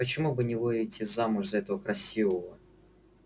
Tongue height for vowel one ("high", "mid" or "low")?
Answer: mid